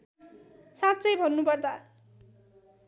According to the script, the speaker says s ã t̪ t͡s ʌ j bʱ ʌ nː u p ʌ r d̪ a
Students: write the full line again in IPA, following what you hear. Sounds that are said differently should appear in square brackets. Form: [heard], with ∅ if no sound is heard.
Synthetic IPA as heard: s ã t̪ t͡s ʌ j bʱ ʌ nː u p ʌ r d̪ a